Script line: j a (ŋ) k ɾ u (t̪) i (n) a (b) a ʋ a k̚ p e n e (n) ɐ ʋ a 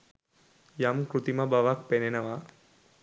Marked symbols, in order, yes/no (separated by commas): no, yes, no, yes, yes